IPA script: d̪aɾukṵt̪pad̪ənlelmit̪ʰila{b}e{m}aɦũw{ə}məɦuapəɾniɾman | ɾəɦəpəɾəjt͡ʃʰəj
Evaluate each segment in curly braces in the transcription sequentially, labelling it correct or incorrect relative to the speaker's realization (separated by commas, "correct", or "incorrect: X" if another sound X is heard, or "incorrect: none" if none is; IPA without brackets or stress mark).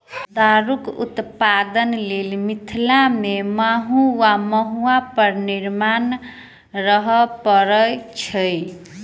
incorrect: m, correct, incorrect: a